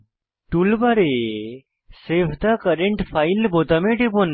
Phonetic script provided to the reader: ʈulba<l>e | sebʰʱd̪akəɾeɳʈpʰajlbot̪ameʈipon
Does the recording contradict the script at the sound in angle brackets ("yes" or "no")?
yes